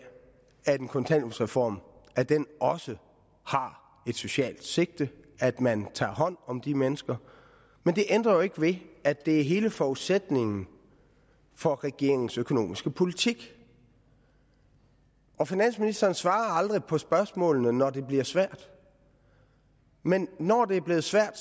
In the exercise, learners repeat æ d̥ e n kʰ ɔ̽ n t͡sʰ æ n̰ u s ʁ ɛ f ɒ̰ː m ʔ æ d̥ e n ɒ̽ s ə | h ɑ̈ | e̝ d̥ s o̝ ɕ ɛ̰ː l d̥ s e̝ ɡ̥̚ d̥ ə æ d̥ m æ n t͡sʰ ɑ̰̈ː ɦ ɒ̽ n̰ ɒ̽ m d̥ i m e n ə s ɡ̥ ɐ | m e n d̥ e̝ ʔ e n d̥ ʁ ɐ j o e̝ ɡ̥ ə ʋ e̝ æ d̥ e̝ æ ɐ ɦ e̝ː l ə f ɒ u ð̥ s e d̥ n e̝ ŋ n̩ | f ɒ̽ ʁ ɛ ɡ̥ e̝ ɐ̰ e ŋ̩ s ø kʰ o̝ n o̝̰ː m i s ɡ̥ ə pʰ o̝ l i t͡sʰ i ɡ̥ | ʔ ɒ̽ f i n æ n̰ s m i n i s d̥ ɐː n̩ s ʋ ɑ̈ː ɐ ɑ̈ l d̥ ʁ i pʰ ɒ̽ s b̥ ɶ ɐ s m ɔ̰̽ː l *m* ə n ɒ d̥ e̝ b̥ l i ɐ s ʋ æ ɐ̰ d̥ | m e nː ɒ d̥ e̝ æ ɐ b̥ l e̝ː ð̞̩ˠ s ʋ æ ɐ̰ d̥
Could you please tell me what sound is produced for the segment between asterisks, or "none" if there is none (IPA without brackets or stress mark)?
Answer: n